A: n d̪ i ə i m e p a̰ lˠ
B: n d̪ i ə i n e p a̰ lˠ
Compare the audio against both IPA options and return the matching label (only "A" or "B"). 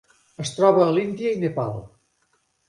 B